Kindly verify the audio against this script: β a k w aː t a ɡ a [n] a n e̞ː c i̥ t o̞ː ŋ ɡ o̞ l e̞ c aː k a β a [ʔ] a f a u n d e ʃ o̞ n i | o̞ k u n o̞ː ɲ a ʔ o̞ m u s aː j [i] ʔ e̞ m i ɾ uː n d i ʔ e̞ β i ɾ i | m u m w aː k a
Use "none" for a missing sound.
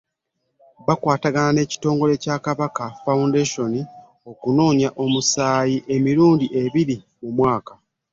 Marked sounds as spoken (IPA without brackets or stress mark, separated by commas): n, k, i